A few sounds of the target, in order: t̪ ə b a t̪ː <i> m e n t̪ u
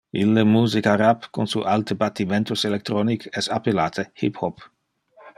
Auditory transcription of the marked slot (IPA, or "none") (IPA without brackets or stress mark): i